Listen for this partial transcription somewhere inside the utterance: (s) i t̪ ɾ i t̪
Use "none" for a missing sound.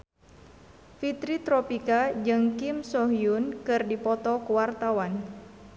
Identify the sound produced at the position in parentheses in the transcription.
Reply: f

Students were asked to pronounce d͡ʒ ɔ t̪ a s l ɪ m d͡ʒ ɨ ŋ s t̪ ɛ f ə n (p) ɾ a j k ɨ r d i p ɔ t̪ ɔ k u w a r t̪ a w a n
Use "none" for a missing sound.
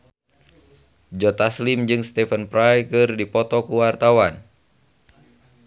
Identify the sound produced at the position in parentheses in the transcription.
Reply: p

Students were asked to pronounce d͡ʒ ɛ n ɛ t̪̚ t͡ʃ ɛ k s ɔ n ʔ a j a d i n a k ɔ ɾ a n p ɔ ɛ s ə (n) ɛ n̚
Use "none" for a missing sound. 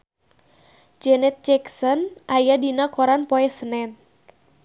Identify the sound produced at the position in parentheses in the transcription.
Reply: n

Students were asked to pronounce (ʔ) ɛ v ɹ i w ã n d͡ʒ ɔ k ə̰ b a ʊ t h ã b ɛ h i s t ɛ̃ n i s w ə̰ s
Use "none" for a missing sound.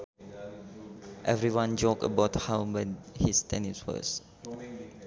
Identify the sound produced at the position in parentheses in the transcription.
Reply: ʔ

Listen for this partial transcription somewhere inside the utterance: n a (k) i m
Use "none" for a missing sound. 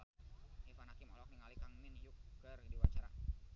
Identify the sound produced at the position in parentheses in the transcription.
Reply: k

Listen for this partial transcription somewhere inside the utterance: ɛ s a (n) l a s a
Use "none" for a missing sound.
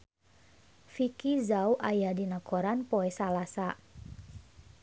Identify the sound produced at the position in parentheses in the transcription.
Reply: none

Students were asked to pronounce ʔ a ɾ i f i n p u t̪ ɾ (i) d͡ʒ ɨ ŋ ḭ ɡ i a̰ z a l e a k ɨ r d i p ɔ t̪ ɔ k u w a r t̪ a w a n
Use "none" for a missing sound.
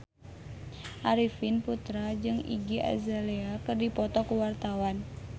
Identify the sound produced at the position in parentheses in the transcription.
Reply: a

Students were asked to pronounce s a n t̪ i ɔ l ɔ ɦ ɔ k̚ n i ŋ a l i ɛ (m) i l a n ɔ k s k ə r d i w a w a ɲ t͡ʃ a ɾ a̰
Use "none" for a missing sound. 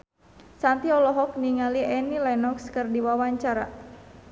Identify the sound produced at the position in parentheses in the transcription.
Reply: n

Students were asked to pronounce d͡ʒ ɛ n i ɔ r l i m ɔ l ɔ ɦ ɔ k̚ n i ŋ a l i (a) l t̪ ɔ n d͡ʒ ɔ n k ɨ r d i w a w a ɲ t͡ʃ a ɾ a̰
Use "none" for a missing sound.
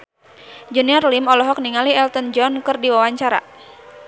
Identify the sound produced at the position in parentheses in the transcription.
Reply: ɛ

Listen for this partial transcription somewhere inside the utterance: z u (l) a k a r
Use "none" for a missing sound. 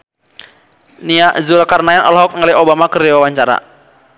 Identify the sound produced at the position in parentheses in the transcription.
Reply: l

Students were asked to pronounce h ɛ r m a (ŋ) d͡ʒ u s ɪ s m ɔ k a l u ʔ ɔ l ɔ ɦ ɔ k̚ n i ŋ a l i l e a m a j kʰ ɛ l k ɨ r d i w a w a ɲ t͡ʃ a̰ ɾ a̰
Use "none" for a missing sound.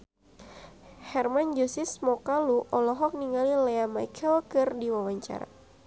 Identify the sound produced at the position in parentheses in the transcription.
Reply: n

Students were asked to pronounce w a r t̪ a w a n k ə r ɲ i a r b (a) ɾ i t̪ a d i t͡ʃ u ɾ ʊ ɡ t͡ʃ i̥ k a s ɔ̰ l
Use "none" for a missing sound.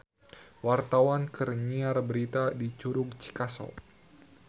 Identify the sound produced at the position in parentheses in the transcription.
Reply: ə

